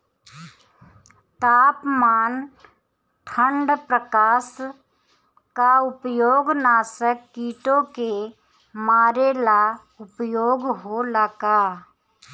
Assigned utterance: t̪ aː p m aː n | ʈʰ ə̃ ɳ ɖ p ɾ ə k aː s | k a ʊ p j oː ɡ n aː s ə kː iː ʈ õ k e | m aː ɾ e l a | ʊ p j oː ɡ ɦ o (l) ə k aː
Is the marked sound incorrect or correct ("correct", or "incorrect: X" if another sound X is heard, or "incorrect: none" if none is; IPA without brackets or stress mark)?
correct